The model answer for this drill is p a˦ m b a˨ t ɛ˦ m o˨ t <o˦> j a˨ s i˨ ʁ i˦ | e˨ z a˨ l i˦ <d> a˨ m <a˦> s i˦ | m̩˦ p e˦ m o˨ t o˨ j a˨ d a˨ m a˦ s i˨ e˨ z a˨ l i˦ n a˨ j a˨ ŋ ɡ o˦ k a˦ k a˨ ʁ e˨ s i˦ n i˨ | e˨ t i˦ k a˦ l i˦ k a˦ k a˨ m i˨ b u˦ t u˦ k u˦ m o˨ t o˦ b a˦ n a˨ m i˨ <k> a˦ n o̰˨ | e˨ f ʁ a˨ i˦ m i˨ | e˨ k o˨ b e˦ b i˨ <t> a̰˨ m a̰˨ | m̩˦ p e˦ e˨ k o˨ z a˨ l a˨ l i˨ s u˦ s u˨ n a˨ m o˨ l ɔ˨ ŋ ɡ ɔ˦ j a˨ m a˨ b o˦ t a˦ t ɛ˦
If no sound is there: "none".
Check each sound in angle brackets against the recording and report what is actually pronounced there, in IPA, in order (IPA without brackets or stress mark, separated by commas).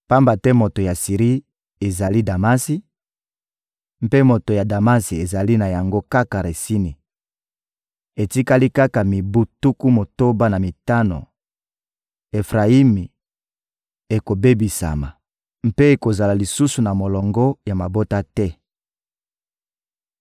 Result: o˨, d, a˦, t, s